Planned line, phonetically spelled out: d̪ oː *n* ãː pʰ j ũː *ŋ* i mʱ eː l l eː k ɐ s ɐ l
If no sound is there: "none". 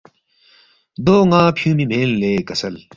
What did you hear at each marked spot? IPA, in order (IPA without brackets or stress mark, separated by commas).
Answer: ŋ, m